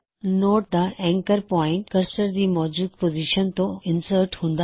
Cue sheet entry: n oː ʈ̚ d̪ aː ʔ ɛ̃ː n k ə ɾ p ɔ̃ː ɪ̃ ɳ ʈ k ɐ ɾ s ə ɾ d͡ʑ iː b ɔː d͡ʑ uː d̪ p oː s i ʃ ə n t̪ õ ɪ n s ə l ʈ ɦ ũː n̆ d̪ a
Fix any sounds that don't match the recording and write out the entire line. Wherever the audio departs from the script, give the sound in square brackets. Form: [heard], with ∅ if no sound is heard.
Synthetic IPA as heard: n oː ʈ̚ d̪ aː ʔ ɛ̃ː [ŋ] k ə ɾ p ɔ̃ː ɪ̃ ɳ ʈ k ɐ ɾ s ə ɾ d͡ʑ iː [m] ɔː d͡ʑ uː d̪ p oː [z] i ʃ ə n t̪ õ ɪ n s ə [ɾ] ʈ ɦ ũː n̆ d̪ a